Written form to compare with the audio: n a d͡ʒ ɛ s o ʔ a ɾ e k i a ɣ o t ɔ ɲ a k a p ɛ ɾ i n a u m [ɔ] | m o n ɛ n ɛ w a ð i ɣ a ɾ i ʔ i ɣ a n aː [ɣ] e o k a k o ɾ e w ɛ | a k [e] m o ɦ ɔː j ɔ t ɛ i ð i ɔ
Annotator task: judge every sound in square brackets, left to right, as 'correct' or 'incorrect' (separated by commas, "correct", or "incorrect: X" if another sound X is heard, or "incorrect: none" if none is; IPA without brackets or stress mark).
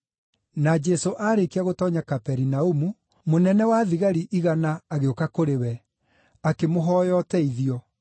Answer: incorrect: u, correct, correct